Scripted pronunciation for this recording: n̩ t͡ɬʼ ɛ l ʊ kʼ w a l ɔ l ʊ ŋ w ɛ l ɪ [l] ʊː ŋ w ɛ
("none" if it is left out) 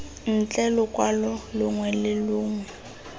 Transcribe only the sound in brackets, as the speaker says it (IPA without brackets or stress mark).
l